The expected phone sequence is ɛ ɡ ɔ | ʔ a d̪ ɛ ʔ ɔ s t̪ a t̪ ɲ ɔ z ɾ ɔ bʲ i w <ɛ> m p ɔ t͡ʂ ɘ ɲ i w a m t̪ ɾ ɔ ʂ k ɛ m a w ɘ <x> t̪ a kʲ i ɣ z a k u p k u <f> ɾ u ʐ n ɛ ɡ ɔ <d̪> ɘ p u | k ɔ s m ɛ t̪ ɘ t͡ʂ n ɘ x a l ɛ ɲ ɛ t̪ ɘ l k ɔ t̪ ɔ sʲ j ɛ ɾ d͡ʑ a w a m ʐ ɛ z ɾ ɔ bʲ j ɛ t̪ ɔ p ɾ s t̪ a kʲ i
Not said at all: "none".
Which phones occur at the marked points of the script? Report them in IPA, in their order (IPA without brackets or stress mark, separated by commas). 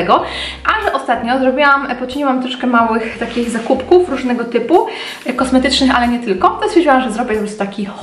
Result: a, x, f, t̪